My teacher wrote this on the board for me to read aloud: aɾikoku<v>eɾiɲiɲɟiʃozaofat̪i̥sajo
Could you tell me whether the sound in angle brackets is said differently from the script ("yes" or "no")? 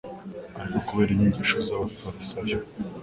yes